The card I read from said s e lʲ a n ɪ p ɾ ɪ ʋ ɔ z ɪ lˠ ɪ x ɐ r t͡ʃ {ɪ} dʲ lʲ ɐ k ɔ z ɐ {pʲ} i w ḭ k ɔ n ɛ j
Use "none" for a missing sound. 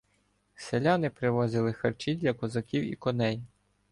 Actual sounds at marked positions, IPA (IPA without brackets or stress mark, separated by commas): i, kʲ